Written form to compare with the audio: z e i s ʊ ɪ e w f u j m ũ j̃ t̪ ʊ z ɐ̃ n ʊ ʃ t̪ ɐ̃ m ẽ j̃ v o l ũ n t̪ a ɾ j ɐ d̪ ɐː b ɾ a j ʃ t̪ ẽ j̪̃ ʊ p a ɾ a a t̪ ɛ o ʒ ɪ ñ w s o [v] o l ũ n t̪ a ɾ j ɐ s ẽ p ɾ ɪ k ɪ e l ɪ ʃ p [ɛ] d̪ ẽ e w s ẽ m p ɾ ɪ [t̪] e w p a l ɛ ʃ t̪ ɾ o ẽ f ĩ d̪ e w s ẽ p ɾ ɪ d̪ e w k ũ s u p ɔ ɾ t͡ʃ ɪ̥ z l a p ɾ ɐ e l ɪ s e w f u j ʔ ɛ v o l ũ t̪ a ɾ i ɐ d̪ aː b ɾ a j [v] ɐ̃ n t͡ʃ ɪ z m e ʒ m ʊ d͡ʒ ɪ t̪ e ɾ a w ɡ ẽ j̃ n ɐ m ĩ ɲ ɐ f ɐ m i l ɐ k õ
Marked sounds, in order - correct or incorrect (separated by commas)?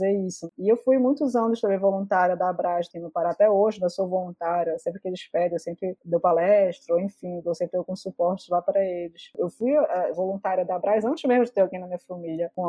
correct, correct, incorrect, incorrect